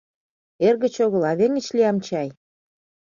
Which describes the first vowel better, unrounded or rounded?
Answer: unrounded